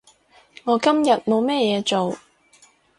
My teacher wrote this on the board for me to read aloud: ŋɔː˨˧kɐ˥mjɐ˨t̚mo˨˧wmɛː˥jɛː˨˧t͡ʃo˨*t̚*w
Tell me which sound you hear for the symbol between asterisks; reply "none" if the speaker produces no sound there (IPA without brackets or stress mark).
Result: none